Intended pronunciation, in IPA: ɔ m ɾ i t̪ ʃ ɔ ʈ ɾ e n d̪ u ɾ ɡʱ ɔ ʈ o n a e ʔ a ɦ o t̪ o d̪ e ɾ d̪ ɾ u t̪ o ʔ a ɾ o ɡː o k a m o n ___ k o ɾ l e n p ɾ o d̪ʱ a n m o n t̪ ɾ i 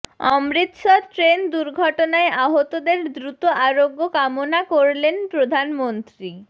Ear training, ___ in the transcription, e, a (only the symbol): a